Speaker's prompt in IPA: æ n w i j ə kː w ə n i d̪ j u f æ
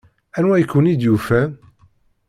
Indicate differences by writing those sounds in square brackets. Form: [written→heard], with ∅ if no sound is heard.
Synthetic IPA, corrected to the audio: æ n w [i→æ] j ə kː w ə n i d̪ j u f æ